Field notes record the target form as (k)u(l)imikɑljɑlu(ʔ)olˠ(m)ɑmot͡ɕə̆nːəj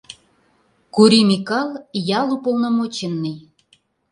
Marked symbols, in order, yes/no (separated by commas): yes, no, no, no